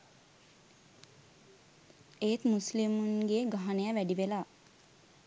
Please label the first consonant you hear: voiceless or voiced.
voiceless